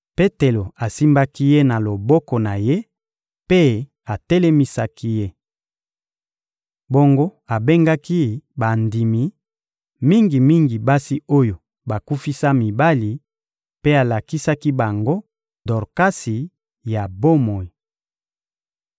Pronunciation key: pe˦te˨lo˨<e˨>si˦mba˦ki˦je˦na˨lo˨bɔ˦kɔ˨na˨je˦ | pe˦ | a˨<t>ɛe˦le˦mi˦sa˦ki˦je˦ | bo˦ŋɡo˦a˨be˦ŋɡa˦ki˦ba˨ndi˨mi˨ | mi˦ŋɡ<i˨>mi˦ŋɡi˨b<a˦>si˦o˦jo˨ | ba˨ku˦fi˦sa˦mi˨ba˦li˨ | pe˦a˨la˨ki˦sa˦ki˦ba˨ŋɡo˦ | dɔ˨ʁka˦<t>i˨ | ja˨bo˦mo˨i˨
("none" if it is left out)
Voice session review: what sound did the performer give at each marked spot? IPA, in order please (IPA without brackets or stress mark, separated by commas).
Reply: a˨, t, i˨, a˦, s